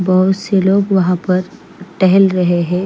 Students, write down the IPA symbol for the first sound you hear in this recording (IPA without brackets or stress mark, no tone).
b